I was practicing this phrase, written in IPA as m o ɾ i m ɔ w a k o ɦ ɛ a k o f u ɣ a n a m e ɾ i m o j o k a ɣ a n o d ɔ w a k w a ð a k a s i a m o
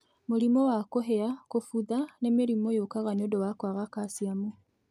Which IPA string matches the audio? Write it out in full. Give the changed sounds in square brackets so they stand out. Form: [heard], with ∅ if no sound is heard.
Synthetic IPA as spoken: m o ɾ i m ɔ w a k o ɦ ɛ a k o f u [ð] a n [e] m e ɾ i m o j o k a ɣ a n o d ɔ w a k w a [ɣ] a k a s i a m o